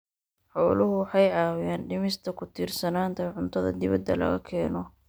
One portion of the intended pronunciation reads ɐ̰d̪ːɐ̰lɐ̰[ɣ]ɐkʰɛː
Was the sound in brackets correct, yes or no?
yes